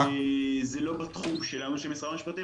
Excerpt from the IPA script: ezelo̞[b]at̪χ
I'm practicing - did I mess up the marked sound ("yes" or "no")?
no